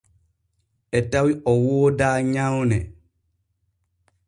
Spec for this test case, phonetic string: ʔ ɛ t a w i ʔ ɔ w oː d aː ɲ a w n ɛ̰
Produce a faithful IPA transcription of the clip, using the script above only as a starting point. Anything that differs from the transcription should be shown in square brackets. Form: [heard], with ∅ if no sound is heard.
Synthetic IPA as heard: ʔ ɛ t a w i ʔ ɔ w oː d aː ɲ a w n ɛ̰